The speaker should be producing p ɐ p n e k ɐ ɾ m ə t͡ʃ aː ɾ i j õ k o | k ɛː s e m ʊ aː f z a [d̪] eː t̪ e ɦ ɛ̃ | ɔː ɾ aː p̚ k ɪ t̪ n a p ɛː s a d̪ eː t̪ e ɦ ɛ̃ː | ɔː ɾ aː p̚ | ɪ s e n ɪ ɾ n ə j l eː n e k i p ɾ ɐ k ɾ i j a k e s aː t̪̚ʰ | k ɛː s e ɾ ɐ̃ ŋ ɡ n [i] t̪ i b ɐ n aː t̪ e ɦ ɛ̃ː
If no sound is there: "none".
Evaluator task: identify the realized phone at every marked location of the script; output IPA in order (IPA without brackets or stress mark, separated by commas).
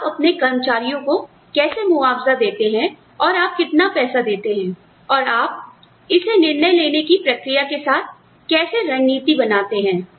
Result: d̪, iː